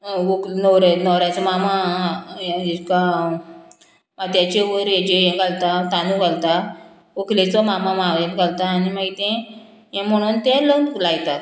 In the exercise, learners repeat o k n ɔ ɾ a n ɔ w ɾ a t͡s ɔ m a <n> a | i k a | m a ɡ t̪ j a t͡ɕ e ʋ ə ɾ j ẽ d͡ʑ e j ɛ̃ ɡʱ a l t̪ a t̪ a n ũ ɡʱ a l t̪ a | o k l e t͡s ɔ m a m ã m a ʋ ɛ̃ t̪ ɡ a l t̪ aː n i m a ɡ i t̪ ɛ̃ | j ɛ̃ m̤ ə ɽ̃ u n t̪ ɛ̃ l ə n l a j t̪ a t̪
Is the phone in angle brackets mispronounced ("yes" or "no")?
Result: yes